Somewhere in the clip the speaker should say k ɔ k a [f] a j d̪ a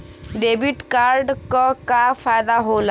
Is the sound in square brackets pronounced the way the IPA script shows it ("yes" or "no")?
yes